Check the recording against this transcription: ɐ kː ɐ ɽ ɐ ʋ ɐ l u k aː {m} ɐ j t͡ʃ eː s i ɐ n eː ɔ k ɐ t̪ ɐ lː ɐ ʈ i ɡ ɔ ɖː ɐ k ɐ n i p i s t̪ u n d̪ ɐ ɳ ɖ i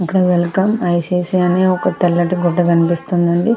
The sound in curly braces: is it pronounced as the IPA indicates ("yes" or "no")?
yes